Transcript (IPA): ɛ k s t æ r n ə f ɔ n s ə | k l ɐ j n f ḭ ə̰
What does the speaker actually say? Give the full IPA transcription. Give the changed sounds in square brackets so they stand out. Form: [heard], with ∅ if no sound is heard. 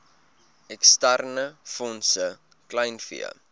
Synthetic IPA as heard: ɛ k s t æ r n ə f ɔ n s ə | k l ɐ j n f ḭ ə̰